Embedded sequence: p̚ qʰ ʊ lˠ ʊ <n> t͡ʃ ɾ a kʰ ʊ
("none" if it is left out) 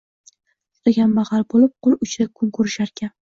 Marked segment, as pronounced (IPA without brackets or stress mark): none